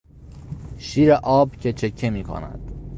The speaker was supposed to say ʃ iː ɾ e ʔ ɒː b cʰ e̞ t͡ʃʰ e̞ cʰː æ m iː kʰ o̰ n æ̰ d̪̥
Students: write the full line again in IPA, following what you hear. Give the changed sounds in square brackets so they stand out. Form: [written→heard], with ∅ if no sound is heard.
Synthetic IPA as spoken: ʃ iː ɾ e ʔ ɒː b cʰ e̞ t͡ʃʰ e̞ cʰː [æ→e] m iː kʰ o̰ n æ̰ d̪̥